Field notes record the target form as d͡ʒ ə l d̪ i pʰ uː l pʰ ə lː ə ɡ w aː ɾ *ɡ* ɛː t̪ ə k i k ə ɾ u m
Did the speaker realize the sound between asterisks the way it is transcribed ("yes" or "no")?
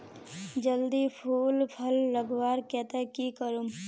no